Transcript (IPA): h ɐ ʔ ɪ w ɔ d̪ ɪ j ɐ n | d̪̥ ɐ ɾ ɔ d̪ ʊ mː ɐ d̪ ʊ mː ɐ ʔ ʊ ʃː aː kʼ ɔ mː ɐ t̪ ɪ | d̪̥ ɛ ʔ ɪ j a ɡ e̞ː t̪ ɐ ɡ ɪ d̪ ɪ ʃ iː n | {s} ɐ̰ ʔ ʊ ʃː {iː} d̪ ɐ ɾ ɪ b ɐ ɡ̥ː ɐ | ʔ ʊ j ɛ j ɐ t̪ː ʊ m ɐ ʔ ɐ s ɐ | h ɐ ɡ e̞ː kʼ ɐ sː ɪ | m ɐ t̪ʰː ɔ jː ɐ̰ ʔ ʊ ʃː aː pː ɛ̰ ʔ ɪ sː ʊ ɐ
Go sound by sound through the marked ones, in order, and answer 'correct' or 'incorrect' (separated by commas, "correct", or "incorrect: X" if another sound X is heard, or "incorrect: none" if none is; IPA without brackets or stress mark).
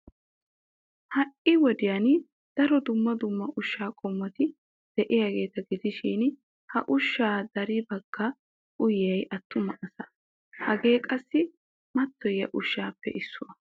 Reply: incorrect: h, incorrect: aː